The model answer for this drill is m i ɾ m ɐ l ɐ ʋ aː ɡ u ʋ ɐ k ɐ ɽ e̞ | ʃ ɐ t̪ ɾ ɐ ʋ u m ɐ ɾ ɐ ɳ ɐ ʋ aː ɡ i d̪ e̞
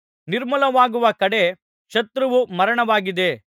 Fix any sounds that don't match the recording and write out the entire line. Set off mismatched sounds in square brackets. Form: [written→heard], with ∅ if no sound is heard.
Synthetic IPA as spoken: [m→n] i ɾ m ɐ l ɐ ʋ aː ɡ u ʋ ɐ k ɐ ɽ e̞ | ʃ ɐ t̪ ɾ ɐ ʋ u m ɐ ɾ ɐ ɳ ɐ ʋ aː ɡ i d̪ e̞